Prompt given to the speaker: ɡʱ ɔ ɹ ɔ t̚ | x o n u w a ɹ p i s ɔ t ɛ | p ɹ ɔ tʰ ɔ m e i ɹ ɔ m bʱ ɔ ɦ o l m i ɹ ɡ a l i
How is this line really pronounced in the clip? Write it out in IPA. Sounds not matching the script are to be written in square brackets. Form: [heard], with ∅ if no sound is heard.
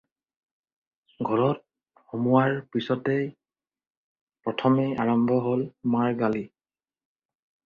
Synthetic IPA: ɡʱ ɔ ɹ ɔ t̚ | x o [m] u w a ɹ p i s ɔ t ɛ | p ɹ ɔ tʰ ɔ m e [a] ɹ ɔ m bʱ ɔ ɦ o l m [a] ɹ ɡ a l i